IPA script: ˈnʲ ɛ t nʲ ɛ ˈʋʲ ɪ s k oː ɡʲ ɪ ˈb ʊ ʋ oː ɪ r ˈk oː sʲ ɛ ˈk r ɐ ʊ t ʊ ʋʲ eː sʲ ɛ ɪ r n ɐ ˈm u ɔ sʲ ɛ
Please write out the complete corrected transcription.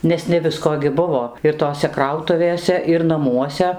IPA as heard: ˈnʲ ɛ s nʲ ɛ ˈʋʲ ɪ s k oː ɡʲ ɪ ˈb ʊ ʋ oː ɪ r ˈt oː sʲ ɛ ˈk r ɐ ʊ t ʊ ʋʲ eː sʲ ɛ ɪ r n ɐ ˈm u ɔ sʲ ɛ